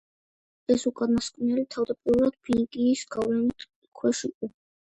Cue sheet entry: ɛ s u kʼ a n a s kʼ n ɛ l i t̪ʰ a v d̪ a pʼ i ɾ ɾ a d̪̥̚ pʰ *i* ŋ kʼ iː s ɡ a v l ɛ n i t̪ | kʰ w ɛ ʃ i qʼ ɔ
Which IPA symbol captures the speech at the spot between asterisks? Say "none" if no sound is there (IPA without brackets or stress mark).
i